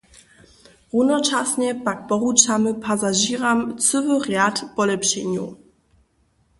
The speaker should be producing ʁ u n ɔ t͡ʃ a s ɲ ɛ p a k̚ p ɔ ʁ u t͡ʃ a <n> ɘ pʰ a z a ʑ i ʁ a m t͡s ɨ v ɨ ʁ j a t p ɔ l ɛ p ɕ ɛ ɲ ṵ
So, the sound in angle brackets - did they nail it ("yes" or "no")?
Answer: no